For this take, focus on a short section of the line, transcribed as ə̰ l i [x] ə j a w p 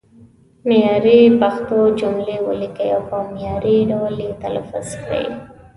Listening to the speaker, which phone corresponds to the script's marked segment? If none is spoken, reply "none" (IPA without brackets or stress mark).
k